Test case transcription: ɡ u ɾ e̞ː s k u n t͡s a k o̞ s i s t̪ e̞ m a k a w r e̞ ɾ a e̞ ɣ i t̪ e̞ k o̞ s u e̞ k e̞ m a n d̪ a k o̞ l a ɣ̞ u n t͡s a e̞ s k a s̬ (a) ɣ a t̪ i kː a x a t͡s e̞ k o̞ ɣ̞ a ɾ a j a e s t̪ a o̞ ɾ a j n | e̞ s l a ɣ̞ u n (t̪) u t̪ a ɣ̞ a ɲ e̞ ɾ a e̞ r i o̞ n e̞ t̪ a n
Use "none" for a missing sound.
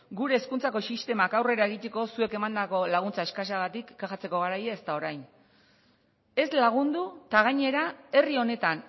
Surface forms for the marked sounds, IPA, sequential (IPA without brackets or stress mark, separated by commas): a, d̪